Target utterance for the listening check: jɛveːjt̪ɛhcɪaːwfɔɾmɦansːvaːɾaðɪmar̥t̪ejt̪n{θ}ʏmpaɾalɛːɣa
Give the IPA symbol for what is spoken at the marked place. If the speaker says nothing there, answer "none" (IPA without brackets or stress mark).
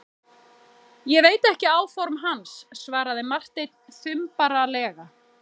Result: θ